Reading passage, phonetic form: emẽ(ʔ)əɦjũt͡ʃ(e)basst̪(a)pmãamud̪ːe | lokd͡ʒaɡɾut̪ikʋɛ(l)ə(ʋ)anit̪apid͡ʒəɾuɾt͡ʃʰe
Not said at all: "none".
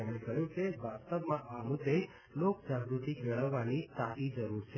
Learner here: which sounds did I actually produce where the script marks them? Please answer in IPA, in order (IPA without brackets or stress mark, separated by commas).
k, e, ə, ɭ, ʋː